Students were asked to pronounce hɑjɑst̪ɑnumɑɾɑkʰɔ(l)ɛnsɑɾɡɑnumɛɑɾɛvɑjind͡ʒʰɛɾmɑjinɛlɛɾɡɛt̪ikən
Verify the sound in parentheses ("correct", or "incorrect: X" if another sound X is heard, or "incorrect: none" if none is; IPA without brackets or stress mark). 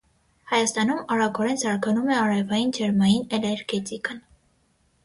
incorrect: ɾ